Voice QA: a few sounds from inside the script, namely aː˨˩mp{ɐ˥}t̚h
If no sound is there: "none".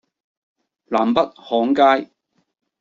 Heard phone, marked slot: ɐ˥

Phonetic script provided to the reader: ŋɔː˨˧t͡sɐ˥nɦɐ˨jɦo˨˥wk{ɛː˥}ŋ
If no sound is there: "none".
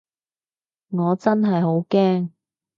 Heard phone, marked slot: ɛː˥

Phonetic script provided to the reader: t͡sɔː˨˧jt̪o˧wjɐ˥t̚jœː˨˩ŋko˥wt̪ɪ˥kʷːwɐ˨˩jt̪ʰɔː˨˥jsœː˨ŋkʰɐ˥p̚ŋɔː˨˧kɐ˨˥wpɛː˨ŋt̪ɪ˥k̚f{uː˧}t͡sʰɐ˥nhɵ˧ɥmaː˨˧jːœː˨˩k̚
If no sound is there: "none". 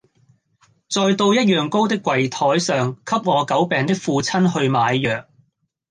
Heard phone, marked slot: uː˧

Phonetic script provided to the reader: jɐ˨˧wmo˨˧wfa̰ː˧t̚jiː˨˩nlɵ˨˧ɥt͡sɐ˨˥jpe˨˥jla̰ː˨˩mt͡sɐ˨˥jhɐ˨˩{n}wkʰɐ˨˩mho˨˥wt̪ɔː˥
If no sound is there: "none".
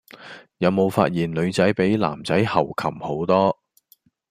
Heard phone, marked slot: none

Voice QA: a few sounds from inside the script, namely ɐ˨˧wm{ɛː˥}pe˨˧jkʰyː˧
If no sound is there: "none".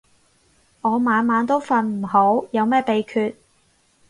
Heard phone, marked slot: ɛː˥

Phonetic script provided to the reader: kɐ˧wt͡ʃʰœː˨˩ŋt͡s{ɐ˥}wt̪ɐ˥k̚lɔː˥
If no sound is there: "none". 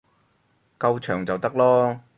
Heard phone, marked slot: ɐ˨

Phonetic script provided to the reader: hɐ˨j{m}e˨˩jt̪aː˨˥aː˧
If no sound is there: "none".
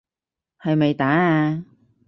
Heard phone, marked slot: m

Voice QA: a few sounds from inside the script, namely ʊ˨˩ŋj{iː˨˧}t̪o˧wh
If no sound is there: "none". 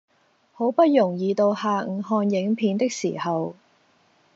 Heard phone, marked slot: iː˨˧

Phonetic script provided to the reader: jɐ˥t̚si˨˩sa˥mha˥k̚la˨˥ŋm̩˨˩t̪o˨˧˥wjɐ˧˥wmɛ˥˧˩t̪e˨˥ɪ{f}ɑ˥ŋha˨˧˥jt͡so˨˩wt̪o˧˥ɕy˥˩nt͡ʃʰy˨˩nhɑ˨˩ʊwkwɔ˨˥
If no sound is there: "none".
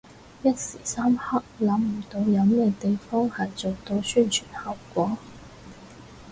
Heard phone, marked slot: f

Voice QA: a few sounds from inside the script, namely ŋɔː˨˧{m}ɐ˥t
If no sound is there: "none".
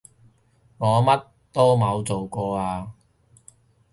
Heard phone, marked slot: m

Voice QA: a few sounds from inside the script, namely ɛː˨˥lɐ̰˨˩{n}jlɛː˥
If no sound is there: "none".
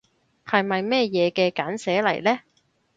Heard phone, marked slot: none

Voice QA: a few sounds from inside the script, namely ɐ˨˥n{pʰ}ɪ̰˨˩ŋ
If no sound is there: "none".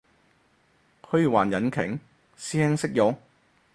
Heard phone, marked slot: kʰ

